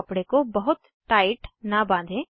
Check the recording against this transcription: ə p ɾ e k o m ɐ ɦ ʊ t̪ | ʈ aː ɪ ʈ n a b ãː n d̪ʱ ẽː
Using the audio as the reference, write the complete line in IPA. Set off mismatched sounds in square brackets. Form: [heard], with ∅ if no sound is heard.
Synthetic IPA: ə p [ɽ] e k o [b] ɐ ɦ ʊ t̪ | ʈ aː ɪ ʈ n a b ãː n d̪ʱ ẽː

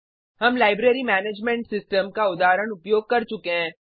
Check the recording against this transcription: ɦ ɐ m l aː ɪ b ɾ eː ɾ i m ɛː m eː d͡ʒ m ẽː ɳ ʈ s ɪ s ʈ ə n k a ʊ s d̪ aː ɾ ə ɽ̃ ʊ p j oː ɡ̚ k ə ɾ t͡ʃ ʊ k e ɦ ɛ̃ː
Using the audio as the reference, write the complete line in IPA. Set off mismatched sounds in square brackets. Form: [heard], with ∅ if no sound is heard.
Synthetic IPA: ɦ ɐ m l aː ɪ b ɾ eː ɾ i m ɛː [n] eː d͡ʒ m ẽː ɳ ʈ s ɪ s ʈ ə [m] k a ʊ [∅] d̪ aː ɾ ə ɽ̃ ʊ p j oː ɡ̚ k [ɐ] ɾ t͡ʃ ʊ k e ɦ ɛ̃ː

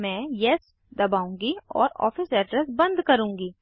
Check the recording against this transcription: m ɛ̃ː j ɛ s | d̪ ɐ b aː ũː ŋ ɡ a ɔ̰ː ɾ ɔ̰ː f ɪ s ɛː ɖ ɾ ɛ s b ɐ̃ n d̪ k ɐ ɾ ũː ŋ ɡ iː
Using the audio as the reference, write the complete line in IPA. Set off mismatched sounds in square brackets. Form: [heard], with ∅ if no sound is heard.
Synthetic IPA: m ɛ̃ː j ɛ s | d̪ ɐ b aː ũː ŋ ɡ [i] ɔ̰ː ɾ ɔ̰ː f ɪ s ɛː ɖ ɾ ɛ s b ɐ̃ n d̪ k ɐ ɾ ũː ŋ ɡ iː

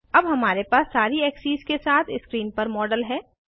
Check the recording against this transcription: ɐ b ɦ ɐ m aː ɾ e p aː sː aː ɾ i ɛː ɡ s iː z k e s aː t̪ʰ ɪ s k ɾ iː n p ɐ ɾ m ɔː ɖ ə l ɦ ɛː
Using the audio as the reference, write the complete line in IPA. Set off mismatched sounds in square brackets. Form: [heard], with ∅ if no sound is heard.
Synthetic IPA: ɐ b ɦ ɐ m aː ɾ e p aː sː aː ɾ i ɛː [k] s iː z k e s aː t̪ʰ ɪ s k ɾ iː n p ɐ ɾ m ɔː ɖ ə l ɦ ɛː

